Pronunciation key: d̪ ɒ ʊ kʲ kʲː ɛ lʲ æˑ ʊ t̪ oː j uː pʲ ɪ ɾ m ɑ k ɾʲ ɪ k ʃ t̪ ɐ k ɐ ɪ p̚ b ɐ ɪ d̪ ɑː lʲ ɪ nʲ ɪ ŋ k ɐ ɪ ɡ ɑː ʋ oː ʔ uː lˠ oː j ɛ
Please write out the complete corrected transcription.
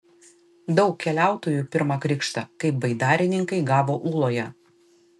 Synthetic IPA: d̪ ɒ ʊ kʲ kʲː ɛ lʲ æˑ ʊ t̪ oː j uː pʲ ɪ ɾ m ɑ k ɾʲ ɪ k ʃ t̪ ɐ k ɐ ɪ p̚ b ɐ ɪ d̪ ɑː ɾʲ ɪ nʲ ɪ ŋ k ɐ ɪ ɡ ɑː ʋ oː ʔ uː lˠ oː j ɛ